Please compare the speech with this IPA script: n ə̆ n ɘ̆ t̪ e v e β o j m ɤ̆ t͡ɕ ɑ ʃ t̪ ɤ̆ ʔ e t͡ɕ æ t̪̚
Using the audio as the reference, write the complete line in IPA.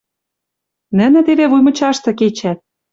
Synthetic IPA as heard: n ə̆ n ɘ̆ t̪ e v e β u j m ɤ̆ t͡ɕ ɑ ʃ t̪ ɤ̆ k e t͡ɕ æ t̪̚